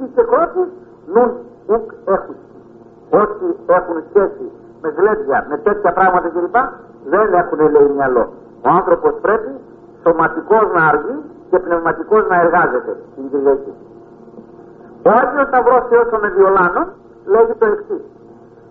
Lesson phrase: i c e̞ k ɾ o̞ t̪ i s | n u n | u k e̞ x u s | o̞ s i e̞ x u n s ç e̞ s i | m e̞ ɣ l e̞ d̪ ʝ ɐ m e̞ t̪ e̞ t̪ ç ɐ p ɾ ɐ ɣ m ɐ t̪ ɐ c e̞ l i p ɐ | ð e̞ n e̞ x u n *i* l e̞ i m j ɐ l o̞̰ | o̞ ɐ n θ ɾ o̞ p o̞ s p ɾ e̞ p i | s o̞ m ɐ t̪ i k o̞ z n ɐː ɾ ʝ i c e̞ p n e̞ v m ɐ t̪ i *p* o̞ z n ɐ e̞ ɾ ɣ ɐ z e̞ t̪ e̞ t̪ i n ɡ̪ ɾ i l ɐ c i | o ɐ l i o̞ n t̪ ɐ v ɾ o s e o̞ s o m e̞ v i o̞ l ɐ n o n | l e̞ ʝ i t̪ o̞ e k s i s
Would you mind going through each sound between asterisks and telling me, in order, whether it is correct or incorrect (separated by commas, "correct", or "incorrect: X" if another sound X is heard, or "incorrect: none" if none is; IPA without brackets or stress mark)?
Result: incorrect: e, incorrect: k